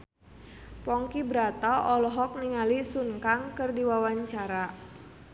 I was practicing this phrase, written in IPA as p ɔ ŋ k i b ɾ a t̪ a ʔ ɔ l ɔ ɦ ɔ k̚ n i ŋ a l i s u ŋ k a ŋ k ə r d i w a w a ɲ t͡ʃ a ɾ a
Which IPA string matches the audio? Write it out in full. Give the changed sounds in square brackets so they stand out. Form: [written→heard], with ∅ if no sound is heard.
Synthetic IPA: p ɔ ŋ k i b ɾ a t̪ a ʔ ɔ l ɔ ɦ ɔ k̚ n i ŋ a l i s u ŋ k a ŋ k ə r d i w a w a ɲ t͡ʃ a ɾ a

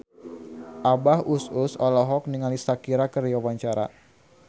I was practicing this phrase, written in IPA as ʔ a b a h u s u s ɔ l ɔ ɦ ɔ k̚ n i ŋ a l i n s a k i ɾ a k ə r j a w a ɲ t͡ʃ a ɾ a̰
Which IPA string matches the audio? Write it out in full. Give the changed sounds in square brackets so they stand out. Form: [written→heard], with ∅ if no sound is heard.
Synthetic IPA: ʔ a b a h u s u s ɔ l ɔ ɦ ɔ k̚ n i ŋ a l i [n→∅] s a k i ɾ a k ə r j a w a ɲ t͡ʃ a ɾ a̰

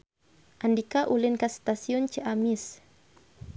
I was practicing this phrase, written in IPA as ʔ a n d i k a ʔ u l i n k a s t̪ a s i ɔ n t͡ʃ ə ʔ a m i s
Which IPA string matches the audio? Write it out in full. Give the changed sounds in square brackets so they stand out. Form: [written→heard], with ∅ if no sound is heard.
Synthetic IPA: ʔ a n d i k a ʔ u l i n k a s t̪ a s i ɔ n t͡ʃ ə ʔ a m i s

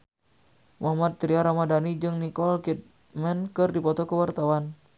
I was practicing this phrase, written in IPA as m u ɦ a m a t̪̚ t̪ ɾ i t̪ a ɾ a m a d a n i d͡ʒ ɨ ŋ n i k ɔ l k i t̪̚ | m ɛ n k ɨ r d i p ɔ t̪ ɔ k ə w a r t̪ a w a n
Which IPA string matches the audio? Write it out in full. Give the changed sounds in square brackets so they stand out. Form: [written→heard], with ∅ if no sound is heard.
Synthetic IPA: m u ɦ a m a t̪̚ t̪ ɾ i [t̪→∅] a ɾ a m a d a n i d͡ʒ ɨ ŋ n i k ɔ l k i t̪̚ | m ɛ n k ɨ r d i p ɔ t̪ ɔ k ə w a r t̪ a w a n

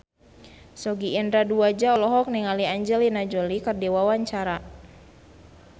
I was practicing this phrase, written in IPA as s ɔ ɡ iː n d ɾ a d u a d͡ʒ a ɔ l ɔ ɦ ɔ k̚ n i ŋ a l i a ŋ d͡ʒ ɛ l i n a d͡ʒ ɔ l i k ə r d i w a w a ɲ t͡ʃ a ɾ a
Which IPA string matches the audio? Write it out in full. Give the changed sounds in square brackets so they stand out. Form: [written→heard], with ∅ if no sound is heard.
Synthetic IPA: s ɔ ɡ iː n d ɾ a d u a d͡ʒ a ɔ l ɔ ɦ ɔ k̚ n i ŋ a l i a [ŋ→ɲ] d͡ʒ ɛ l i n a d͡ʒ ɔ l i k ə r d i w a w a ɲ t͡ʃ a ɾ a

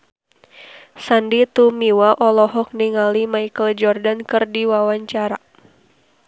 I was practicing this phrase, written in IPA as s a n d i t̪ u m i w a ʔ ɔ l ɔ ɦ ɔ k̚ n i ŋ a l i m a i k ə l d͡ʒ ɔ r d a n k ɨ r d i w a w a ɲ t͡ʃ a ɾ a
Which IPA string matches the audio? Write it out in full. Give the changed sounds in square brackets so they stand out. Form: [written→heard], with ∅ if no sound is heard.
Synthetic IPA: s a n d i t̪ u m i w a ʔ ɔ l ɔ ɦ ɔ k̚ n i ŋ a l i m a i k ə l d͡ʒ ɔ r d a n k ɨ r d i w a w a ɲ t͡ʃ a ɾ a

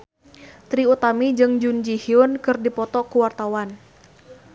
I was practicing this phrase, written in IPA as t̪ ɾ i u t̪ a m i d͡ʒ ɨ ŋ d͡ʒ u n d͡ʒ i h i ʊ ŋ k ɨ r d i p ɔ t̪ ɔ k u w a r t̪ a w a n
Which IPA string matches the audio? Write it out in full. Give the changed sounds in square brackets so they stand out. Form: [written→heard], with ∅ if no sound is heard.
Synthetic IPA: t̪ ɾ i u t̪ a m i d͡ʒ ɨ ŋ d͡ʒ u n d͡ʒ i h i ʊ [ŋ→n] k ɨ r d i p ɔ t̪ ɔ k u w a r t̪ a w a n

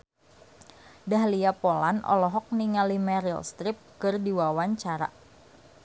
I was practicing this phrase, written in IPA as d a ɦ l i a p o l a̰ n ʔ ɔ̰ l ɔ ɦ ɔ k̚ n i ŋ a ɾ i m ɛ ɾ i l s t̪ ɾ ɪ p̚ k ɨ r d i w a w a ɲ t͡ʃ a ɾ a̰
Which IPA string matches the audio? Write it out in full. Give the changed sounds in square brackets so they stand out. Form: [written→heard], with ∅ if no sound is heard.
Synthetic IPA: d a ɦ l i a p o l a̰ n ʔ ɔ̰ l ɔ ɦ ɔ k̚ n i ŋ a [ɾ→l] i m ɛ ɾ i l s t̪ ɾ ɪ p̚ k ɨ r d i w a w a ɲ t͡ʃ a ɾ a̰

